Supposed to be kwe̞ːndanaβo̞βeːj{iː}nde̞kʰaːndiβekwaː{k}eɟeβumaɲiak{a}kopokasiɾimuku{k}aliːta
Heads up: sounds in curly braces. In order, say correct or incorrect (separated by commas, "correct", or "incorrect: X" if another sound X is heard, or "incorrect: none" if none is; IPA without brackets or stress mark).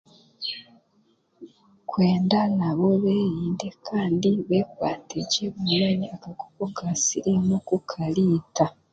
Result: correct, incorrect: t, correct, incorrect: kʰ